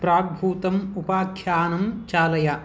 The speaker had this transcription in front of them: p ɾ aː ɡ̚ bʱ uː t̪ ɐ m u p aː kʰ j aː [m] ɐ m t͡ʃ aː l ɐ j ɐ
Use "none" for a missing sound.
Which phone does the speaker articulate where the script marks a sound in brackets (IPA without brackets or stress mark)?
n